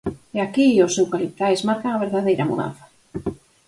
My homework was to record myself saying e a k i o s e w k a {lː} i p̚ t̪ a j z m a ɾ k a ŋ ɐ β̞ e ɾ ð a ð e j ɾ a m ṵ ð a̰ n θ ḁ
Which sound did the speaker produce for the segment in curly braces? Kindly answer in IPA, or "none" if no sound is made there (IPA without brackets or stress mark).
l